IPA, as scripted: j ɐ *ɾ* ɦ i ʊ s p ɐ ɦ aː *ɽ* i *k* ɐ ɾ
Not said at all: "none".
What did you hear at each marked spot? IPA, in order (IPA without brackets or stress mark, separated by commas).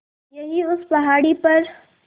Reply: none, ɽ, p